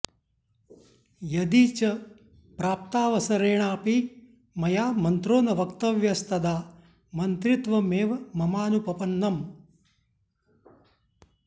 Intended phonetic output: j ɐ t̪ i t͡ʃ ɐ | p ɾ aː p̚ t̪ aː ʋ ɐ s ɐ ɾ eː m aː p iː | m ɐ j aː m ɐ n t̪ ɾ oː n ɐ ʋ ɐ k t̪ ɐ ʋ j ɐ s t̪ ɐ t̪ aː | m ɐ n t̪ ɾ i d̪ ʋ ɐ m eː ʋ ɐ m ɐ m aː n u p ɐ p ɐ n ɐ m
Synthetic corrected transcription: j ɐ d̪ i t͡ʃ ɐ | p ɾ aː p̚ t̪ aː ʋ ɐ s ɐ ɾ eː ɳ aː p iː | m ɐ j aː m ɐ n t̪ ɾ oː n ɐ ʋ ɐ k t̪ ɐ ʋ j ɐ s t̪ ɐ d̪ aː | m ɐ n t̪ ɾ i t̪ ʋ ɐ m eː ʋ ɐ m ɐ m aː n u p ɐ p ɐ nː ɐ m